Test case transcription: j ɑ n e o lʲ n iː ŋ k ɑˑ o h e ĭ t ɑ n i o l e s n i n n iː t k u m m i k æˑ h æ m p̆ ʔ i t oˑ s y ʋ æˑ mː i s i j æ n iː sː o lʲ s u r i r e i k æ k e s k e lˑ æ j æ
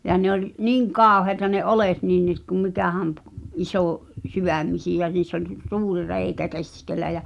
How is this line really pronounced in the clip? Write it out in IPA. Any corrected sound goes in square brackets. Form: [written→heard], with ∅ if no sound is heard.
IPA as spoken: j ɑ n e o lʲ n iː ŋ k ɑˑ o h e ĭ t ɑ n [i→e] o l e [s→t] n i n n iː t k u m m i k æˑ h æ m p̆ ʔ i [t→s] oˑ s y ʋ æˑ mː i s i j æ n iː sː o lʲ s [u→uː] r i r e i k æ k e s k e lˑ æ j æ